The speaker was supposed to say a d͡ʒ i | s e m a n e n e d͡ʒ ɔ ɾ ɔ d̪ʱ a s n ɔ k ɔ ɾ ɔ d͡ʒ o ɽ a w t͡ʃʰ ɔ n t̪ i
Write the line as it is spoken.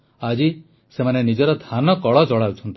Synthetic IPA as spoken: a d͡ʒ i | s e m a n e n i d͡ʒ ɔ ɾ ɔ d̪ʱ a n ɔ k ɔ ɭ ɔ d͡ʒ ɔ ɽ a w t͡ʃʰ ɔ n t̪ i